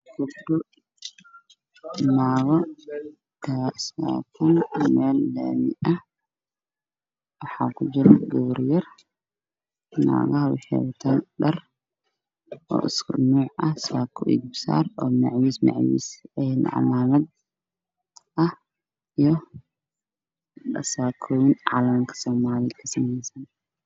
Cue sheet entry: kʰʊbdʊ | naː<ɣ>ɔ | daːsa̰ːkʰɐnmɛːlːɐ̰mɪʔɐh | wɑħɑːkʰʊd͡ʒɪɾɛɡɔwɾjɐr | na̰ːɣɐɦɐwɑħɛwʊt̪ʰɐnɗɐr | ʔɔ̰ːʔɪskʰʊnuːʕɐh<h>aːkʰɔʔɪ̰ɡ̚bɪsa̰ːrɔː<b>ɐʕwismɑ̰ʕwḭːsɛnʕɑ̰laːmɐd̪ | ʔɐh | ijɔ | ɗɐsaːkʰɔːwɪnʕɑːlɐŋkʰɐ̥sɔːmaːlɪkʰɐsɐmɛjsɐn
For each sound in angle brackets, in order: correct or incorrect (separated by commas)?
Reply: correct, incorrect, incorrect